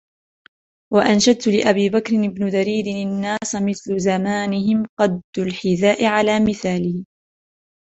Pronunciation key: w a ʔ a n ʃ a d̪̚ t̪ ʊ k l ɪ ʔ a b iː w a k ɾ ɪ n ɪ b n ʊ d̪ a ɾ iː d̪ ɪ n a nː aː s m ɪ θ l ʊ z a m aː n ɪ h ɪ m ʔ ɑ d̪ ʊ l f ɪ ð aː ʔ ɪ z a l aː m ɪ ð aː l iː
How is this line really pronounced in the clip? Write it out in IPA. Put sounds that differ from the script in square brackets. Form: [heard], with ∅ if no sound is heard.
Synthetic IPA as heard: w a ʔ a n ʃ a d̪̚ t̪ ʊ [∅] l ɪ ʔ a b iː [b] a k ɾ ɪ n ɪ b n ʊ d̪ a ɾ iː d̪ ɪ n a nː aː s m ɪ θ l ʊ z a m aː n ɪ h ɪ m [q] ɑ d̪ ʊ l [ħ] ɪ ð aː ʔ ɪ [ʕ] a l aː m ɪ [θ] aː l iː